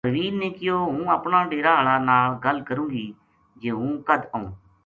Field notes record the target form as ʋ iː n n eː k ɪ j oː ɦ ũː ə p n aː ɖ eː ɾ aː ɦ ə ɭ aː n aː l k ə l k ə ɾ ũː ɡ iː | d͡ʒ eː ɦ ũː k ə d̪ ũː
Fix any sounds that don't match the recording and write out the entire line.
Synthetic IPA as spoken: ʋ iː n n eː k ɪ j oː ɦ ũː ə p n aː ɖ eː ɾ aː ɦ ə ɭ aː n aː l ɡ ə l k ə ɾ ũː ɡ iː | d͡ʒ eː ɦ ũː k ə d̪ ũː